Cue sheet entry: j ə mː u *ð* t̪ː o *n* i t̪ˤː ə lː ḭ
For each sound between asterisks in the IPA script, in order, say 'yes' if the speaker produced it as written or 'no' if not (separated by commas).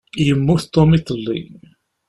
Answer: no, no